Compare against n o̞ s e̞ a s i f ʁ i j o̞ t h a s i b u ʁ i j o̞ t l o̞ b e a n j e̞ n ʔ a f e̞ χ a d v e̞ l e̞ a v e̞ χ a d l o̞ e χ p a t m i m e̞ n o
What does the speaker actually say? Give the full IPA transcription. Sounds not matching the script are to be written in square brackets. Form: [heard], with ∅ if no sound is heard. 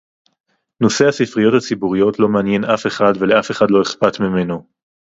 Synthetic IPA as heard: n o̞ s e̞ a s i f ʁ i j o̞ t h a [t͡s] i b u ʁ i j o̞ t l o̞ [m] e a n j e̞ n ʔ a f e̞ χ a d v e̞ l e̞ a [f] e̞ χ a d l o̞ e χ p a t m i m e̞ n o